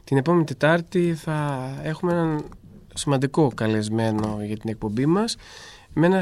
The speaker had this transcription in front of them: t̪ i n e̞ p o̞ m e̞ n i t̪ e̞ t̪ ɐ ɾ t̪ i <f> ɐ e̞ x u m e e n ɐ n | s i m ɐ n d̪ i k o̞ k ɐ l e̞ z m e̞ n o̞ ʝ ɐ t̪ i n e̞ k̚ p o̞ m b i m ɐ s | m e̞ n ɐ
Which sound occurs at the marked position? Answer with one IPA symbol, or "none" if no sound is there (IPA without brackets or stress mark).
θ